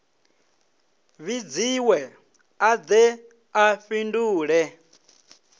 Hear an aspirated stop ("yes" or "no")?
no